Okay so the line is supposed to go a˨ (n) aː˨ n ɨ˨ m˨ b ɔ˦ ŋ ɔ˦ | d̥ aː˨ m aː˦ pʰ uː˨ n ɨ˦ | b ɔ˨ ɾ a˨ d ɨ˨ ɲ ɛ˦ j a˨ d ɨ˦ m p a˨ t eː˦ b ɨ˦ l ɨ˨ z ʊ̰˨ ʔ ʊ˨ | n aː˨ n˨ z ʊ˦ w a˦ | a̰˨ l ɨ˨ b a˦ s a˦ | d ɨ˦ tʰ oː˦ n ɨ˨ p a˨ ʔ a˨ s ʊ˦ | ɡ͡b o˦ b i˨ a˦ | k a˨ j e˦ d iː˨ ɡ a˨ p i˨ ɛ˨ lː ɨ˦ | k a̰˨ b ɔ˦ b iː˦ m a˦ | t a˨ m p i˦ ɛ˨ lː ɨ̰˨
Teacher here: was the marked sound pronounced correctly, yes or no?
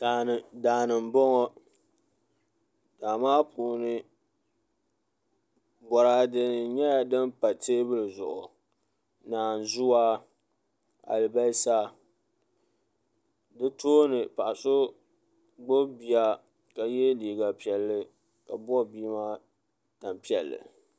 no